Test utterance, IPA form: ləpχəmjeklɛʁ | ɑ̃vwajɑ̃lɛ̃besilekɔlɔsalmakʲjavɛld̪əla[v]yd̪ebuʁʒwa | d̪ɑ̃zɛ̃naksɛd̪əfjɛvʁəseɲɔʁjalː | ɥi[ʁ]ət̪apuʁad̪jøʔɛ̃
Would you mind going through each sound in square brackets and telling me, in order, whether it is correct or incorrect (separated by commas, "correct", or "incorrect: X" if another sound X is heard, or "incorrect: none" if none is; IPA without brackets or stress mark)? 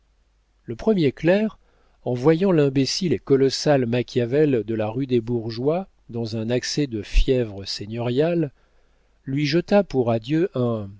incorrect: ʁ, incorrect: ʒ